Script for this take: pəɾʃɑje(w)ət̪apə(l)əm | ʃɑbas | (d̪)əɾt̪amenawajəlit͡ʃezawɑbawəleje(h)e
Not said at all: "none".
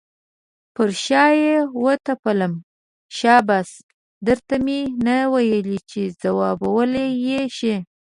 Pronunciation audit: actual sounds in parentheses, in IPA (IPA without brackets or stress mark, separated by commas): w, l, d̪, ʃ